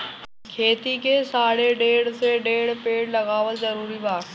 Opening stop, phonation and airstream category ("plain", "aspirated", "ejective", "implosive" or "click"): aspirated